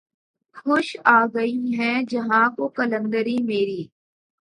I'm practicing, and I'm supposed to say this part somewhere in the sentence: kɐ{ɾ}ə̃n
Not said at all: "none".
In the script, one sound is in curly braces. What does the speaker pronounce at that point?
l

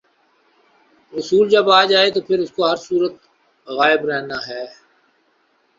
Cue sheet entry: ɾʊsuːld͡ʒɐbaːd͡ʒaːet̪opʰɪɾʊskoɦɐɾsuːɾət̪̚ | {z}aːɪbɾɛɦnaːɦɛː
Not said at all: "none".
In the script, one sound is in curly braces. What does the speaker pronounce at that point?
ɣ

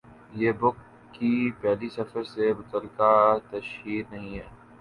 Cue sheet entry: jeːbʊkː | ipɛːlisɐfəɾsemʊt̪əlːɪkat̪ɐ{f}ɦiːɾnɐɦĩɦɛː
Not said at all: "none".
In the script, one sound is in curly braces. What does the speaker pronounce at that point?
ʃ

